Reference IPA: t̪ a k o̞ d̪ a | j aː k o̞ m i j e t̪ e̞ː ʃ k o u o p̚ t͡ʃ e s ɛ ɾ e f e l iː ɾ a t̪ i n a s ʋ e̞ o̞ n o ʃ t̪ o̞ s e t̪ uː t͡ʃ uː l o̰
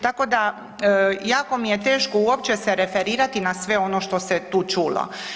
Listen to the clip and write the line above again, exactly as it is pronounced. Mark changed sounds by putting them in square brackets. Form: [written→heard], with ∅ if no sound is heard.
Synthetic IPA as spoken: t̪ a k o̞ d̪ a | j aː k o̞ m i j e t̪ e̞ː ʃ k o u o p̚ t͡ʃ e s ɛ ɾ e f e [l→ɾ] iː ɾ a t̪ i n a s ʋ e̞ o̞ n o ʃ t̪ o̞ s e t̪ uː t͡ʃ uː l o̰

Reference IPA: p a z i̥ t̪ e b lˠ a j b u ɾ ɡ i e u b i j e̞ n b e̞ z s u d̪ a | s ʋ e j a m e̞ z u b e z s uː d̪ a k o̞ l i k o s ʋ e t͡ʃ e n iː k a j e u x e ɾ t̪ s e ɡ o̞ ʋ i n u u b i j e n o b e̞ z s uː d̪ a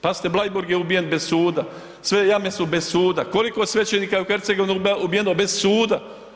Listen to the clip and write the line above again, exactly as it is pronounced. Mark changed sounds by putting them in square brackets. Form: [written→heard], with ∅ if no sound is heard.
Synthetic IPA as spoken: p a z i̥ t̪ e b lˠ a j b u ɾ ɡ [i→j] e u b i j e̞ n b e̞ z s [u→uː] d̪ a | s ʋ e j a m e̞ [z→s] u b e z s uː d̪ a k o̞ l i k o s ʋ e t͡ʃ e n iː k a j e u x e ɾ t̪ s e ɡ o̞ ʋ i n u u b i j e n o b e̞ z s uː d̪ a

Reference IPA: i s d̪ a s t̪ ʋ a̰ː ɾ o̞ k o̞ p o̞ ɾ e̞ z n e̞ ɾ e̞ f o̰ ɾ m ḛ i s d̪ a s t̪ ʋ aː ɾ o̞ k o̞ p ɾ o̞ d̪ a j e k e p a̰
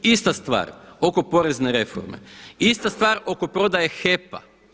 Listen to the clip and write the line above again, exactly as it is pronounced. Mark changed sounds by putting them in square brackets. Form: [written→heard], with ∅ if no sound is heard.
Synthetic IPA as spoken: i s [d̪→t̪] a s t̪ ʋ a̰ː ɾ o̞ k o̞ p o̞ ɾ e̞ z n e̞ ɾ e̞ f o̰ ɾ m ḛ i s [d̪→t̪] a s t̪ ʋ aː ɾ o̞ k o̞ p ɾ o̞ d̪ a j e [k→x] e p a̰

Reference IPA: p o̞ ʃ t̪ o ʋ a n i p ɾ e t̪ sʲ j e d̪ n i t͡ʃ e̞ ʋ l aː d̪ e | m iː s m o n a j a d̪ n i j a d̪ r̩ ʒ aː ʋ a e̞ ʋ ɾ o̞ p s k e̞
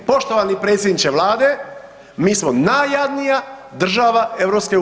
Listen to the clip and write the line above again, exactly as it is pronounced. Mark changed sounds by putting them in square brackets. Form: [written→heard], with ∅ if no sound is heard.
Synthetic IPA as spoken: p o̞ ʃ t̪ o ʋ a n i p ɾ e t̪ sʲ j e d̪ n i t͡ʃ e̞ ʋ l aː d̪ e | m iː s m o n a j a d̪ n i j a d̪ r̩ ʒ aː ʋ a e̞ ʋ ɾ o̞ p s k e̞

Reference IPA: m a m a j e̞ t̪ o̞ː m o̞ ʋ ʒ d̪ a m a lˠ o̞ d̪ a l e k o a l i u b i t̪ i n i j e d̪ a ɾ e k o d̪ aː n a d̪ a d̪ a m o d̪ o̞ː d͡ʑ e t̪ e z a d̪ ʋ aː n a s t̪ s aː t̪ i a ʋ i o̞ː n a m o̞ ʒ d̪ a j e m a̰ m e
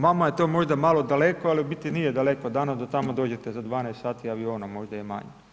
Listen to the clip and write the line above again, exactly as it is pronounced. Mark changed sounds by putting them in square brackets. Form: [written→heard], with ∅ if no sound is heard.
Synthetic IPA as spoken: m a m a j e̞ t̪ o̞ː m o̞ [ʋ→∅] ʒ d̪ a m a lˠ o̞ d̪ a l e k o a l i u b i t̪ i n i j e d̪ a [ɾ→l] e k o d̪ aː n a d̪ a [d̪→t̪] a m o d̪ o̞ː d͡ʑ e t̪ e z a d̪ ʋ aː n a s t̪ s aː t̪ i a ʋ i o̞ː n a m o̞ ʒ d̪ a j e m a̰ [m→ɲ] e

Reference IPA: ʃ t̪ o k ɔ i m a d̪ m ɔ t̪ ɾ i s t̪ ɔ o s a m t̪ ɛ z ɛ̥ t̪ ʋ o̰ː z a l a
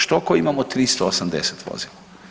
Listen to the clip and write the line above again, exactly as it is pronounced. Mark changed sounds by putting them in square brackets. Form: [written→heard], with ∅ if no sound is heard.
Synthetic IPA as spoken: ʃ t̪ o k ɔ i m a [d̪→∅] m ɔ t̪ ɾ i s t̪ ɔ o s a m [t̪→d̪] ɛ [z→s] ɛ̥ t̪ ʋ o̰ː z [a→i] l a

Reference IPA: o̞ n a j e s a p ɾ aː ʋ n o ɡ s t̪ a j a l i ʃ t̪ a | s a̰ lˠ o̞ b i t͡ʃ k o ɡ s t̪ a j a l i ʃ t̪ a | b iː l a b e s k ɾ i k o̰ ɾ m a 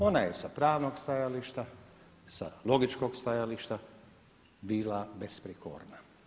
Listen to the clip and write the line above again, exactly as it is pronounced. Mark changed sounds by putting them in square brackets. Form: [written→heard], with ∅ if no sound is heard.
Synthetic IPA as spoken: o̞ n a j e s a p ɾ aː ʋ n o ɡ s t̪ a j a l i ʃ t̪ a | s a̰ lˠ o̞ [b→ɡ] i t͡ʃ k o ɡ s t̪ a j a l i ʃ t̪ a | b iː l a b e s [k→p] ɾ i k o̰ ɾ [m→n] a

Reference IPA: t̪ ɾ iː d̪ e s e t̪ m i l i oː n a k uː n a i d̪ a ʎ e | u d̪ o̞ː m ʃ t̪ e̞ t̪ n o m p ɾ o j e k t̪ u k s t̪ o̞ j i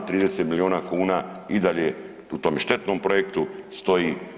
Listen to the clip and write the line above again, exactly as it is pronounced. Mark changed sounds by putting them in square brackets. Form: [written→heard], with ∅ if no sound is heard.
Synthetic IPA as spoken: t̪ ɾ iː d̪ e s e t̪ m i l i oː n a k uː n a i d̪ a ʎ e | u [d̪→t̪] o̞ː m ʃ t̪ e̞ t̪ n o m p ɾ o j e k t̪ u [k→∅] s t̪ o̞ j i

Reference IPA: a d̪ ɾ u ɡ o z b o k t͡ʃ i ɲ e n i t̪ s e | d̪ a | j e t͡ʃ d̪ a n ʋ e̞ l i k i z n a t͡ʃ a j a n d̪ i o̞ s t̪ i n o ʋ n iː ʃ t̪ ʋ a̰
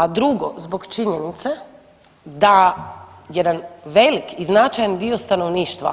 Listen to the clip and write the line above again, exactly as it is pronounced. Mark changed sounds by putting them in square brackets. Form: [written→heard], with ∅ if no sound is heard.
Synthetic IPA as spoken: a d̪ ɾ u ɡ o z b o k t͡ʃ i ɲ e n i t̪ s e | d̪ a | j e [t͡ʃ→∅] d̪ a n ʋ e̞ l i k i z n a t͡ʃ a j a n d̪ i o̞ s t̪ [i→a] n o ʋ n iː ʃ t̪ ʋ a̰

